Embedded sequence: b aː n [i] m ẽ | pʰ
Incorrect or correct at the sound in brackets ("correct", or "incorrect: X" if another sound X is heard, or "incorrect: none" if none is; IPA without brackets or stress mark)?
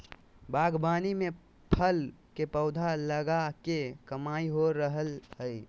correct